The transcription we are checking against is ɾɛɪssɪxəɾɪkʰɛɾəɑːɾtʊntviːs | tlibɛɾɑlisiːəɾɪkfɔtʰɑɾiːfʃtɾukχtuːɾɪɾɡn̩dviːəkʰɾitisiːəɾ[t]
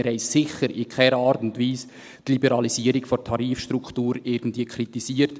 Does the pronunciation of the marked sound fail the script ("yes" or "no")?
no